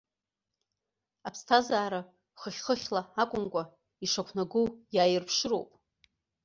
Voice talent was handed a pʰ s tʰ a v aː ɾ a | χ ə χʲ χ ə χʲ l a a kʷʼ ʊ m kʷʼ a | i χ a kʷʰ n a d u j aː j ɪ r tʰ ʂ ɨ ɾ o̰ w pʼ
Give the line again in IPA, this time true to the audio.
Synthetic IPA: a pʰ s tʰ a z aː ɾ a | χ ə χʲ χ ə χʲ l a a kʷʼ ʊ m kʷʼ a | i ʂ a kʷʰ n a ɡ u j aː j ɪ r pʰ ʂ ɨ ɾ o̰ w pʼ

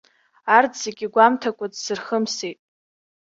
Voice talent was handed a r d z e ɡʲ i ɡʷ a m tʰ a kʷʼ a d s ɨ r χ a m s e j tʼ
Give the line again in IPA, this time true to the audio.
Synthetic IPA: a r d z e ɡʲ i ɡʷ a m tʰ a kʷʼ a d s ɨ r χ ə m s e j tʼ

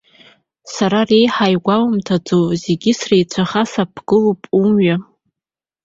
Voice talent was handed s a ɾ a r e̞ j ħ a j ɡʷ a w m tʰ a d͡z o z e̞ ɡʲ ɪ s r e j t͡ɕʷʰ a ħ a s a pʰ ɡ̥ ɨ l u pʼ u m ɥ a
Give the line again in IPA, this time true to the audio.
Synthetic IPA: s a ɾ a r e̞ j ħ a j ɡʷ a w m tʰ a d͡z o z e̞ ɡʲ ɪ s r e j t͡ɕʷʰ a χ a s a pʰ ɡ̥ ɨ l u pʼ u m ɥ a

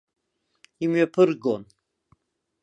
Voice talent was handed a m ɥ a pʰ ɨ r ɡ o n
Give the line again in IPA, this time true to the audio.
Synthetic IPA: i m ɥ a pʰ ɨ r ɡ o n

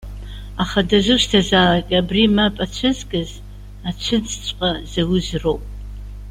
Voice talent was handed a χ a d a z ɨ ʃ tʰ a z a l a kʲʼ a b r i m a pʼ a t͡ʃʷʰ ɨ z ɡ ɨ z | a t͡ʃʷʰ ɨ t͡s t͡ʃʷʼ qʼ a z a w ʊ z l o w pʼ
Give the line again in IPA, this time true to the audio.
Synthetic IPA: a χ a d a z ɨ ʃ tʰ a z a l a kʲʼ a b r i m a pʼ a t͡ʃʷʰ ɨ z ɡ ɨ z | a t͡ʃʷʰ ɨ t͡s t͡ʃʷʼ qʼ a z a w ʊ z r o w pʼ

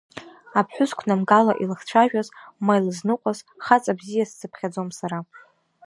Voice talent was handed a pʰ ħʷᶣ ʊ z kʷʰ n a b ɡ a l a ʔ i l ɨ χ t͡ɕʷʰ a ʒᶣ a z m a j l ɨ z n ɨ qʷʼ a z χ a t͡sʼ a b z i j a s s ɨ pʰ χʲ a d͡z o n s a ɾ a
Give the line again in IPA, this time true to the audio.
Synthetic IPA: a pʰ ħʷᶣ ʊ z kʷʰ n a m ɡ a l a ʔ i l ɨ χ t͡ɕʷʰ a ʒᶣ a z m a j l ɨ z n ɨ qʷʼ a z χ a t͡sʼ a b z i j a s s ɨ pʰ χʲ a d͡z o m s a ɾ a

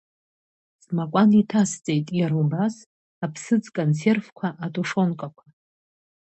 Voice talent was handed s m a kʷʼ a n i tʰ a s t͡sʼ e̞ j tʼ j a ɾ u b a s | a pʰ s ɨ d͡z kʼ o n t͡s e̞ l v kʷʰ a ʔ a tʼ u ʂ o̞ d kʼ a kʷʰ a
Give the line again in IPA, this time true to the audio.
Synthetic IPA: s m a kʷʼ a n i tʰ a s t͡sʼ e̞ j tʼ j a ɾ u b a s | a pʰ s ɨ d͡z kʼ o n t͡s e̞ r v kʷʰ a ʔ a tʼ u ʂ o̞ n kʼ a kʷʰ a

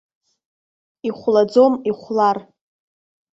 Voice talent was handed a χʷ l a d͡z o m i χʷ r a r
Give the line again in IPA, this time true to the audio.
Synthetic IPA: i χʷ l a d͡z o m i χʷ l a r

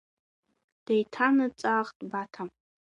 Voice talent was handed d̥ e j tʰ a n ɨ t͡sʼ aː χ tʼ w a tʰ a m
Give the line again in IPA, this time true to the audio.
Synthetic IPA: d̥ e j tʰ a n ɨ t͡sʼ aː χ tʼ b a tʰ a m

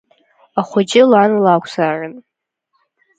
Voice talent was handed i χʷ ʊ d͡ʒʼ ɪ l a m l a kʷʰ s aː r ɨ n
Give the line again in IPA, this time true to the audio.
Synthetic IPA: a χʷ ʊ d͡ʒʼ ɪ l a n l a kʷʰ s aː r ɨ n

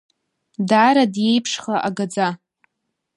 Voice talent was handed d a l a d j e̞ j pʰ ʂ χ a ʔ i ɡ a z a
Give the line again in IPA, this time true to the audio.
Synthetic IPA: d a ɾ a d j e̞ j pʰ ʂ χ a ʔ a ɡ a d͡z a

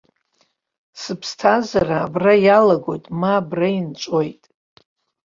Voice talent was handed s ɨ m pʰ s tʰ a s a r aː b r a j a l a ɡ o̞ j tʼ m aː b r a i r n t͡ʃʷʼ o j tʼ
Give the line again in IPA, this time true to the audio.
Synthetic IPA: s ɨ pʰ s tʰ a z a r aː b r a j a l a ɡ o̞ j tʼ m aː b r a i n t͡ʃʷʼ o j tʼ

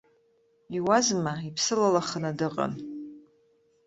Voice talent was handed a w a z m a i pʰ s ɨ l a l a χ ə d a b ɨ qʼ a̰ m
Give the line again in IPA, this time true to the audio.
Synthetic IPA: i w a z m a i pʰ s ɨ l a l a χ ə n a d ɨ qʼ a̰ n

